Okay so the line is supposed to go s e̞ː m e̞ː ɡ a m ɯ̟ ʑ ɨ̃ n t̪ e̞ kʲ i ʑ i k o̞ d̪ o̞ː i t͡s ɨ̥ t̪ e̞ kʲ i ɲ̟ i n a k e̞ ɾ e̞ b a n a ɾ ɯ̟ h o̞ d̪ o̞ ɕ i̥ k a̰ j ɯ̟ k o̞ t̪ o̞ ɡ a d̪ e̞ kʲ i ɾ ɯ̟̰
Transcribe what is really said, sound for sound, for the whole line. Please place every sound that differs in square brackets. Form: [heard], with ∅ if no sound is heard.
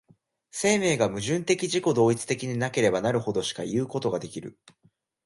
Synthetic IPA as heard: s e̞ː m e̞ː ɡ a m ɯ̟ ʑ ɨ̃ n t̪ e̞ kʲ i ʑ i k o̞ d̪ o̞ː i t͡s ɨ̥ t̪ e̞ kʲ i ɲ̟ i n a k e̞ ɾ e̞ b a n a ɾ ɯ̟ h o̞ d̪ o̞ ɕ i̥ k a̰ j [ɯ̟ː] k o̞ t̪ o̞ ɡ a d̪ e̞ kʲ i ɾ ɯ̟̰

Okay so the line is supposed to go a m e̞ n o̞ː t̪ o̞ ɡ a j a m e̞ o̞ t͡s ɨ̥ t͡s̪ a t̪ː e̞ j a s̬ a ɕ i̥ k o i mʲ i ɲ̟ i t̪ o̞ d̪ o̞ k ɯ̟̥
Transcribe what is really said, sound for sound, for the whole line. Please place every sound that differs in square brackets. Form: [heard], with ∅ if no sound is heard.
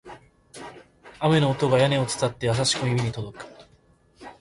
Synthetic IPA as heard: a m e̞ n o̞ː t̪ o̞ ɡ a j a [n] e̞ o̞ t͡s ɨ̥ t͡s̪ a t̪ː e̞ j a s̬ a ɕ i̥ k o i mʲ i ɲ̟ i t̪ o̞ d̪ o̞ k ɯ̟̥

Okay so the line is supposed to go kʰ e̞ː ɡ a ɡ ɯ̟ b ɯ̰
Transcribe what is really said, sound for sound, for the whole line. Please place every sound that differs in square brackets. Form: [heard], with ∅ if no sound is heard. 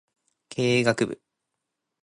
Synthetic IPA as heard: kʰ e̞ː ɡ a [k] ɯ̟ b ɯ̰

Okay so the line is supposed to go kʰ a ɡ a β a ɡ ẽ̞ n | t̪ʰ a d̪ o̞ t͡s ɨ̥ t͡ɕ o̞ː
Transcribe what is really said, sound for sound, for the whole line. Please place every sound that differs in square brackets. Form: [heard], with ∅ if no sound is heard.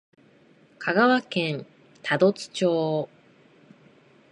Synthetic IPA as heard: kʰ a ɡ a β a [k] ẽ̞ n | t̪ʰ a d̪ o̞ t͡s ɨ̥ t͡ɕ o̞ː

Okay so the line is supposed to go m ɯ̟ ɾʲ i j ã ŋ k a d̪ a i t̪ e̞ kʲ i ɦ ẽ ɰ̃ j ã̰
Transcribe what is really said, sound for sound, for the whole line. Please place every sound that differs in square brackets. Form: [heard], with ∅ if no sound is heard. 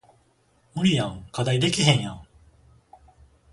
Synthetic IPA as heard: m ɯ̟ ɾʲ i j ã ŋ k a d̪ a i [d̪] e̞ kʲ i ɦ ẽ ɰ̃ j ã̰

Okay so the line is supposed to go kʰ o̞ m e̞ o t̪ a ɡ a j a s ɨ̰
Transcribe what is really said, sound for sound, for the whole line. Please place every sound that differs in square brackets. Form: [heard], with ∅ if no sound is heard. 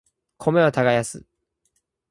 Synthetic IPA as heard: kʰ o̞ m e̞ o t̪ a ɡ a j a s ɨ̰

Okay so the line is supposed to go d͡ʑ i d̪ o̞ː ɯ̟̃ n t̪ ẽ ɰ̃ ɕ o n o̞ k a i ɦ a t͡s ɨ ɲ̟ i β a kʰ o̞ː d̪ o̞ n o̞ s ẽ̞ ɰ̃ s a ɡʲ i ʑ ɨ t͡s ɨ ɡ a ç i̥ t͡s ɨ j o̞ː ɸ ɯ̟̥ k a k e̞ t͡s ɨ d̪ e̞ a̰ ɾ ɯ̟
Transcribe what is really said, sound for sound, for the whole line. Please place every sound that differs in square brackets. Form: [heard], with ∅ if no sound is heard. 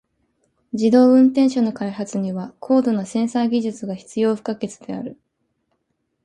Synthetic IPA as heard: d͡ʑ i d̪ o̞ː ɯ̟̃ n t̪ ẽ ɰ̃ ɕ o n o̞ k a i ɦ a t͡s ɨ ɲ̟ i β a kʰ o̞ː d̪ o̞ n o̞ s ẽ̞ ɰ̃ s a ɡʲ i ʑ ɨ t͡s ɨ ɡ a ç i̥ t͡s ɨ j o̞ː ɸ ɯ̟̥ k a k e̞ t͡s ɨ d̪ e̞ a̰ ɾ ɯ̟

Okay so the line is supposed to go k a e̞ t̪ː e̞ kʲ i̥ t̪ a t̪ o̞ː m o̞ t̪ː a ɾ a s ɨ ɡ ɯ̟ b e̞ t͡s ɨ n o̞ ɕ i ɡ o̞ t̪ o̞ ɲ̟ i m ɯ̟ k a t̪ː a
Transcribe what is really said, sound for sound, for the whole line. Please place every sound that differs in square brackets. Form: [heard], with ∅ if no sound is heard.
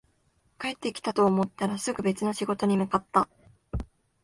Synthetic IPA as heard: k a e̞ t̪ː e̞ kʲ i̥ t̪ a t̪ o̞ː m o̞ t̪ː a ɾ a s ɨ ɡ ɯ̟ b e̞ t͡s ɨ n o̞ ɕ i ɡ o̞ t̪ o̞ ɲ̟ i m ɯ̟ k a t̪ː a

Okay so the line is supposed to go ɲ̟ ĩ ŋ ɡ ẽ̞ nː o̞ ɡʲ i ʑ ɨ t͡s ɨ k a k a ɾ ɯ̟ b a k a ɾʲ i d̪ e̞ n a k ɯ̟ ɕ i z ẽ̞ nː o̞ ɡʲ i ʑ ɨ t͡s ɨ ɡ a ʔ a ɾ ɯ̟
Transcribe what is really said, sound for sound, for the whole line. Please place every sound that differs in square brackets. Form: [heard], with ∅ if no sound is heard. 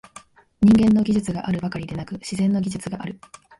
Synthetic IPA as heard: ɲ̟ ĩ ŋ ɡ ẽ̞ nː o̞ ɡʲ i ʑ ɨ t͡s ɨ [ɡ] a [ʔ] a ɾ ɯ̟ b a k a ɾʲ i d̪ e̞ n a k ɯ̟ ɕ i z ẽ̞ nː o̞ ɡʲ i ʑ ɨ t͡s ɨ ɡ a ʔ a ɾ ɯ̟

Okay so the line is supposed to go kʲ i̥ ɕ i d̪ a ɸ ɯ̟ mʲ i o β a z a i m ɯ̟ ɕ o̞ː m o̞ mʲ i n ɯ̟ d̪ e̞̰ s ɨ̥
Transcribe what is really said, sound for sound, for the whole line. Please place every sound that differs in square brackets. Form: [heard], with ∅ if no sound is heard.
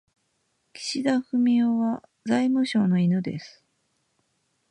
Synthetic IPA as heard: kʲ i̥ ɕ i d̪ a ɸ ɯ̟ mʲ i o β a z a i m ɯ̟ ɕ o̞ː [n] o̞ [∅] i n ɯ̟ d̪ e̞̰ s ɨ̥

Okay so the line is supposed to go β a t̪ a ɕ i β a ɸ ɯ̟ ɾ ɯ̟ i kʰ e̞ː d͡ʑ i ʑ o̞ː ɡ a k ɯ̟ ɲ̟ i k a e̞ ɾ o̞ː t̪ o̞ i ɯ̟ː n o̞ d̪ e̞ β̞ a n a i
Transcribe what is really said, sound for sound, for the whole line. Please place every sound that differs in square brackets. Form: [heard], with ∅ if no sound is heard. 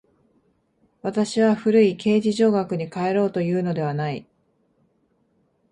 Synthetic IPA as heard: β a t̪ a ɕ i β a ɸ ɯ̟ ɾ ɯ̟ i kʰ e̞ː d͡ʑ i ʑ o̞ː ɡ a k ɯ̟ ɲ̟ i k a e̞ ɾ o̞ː t̪ o̞ [j] ɯ̟ː n o̞ d̪ e̞ β̞ a n a i

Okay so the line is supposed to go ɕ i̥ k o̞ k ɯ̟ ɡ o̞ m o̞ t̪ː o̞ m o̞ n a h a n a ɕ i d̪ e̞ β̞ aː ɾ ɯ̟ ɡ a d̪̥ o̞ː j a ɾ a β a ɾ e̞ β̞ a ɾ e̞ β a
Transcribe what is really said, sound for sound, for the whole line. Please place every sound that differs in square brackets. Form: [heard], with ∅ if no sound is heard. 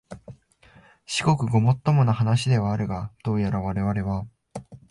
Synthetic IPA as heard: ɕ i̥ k o̞ k ɯ̟ ɡ o̞ m o̞ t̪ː o̞ m o̞ n a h a n a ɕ i d̪ e̞ β̞ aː ɾ ɯ̟ ɡ a d̪̥ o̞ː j a ɾ a β a ɾ e̞ β̞ a ɾ e̞ β a

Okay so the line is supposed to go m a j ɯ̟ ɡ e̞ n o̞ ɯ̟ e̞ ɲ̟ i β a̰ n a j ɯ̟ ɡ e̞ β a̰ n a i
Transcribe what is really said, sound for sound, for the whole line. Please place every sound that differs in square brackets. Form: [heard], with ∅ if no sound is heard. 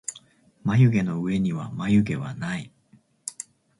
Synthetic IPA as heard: m a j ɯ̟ ɡ e̞ n o̞ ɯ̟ e̞ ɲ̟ i β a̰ [m] a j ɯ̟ ɡ e̞ β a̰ n a i

